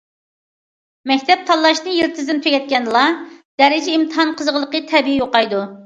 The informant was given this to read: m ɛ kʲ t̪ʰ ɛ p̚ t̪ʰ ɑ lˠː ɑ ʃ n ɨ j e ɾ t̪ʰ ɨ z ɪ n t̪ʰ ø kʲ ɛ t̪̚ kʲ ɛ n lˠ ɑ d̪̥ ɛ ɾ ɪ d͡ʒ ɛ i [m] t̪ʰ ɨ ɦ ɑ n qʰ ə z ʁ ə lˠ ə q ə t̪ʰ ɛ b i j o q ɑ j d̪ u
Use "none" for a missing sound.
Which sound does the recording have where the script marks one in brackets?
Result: m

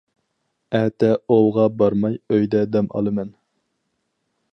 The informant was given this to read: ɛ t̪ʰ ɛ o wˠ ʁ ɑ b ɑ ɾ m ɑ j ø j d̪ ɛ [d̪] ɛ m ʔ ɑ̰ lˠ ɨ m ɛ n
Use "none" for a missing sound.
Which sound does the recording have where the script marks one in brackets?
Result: d̪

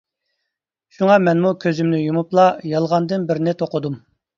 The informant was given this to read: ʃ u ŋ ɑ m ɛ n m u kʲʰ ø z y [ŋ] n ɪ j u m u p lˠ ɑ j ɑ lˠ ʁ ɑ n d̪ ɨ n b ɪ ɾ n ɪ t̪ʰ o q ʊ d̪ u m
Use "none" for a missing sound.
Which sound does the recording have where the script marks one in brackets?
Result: m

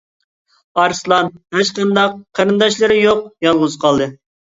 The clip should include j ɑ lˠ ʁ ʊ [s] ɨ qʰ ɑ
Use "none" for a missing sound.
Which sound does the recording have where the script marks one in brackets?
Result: z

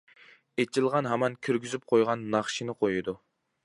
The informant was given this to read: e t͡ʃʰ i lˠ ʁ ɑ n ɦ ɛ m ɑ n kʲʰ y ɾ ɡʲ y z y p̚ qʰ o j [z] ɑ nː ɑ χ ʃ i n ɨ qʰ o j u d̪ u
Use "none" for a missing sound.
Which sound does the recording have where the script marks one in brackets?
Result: ʁ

